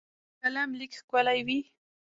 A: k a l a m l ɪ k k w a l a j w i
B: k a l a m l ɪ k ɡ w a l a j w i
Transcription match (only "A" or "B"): A